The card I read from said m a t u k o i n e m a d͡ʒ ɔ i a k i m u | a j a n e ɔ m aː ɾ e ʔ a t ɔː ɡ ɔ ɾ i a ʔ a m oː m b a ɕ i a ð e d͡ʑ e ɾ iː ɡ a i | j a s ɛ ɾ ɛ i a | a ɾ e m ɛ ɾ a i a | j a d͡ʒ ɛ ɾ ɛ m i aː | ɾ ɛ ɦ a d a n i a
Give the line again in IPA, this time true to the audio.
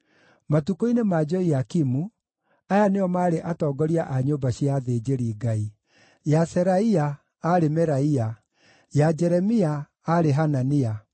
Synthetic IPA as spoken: m a t u k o i n e m a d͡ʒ ɔ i a k i m u | a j a n e ɔ m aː ɾ e ʔ a t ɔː ɡ ɔ ɾ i a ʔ a ɲ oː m b a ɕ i a ð e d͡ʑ e ɾ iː ɡ a i | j a s ɛ ɾ a i a | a ɾ e m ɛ ɾ a i a | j a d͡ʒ ɛ ɾ ɛ m i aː | ɾ e ɦ a n a n i a